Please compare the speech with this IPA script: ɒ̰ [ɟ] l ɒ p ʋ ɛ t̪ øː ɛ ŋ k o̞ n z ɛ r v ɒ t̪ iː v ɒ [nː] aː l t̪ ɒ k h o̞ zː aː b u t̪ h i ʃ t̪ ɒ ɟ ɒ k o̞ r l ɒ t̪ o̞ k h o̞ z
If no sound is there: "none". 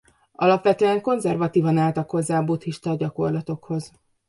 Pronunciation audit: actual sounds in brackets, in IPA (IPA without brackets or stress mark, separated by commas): none, n